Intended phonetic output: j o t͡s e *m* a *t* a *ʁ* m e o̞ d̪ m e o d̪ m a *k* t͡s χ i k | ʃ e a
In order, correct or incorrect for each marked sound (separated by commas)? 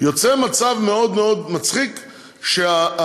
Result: correct, incorrect, incorrect, incorrect